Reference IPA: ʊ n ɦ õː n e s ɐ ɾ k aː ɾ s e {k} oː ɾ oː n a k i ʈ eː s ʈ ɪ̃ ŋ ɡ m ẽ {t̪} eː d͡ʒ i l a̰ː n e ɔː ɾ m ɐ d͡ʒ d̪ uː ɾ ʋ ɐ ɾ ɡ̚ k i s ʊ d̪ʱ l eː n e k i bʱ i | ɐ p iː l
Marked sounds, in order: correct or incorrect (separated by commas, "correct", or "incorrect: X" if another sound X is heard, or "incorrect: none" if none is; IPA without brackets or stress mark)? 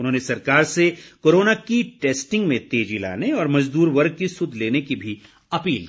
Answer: correct, correct